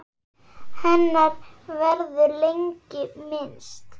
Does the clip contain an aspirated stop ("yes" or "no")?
no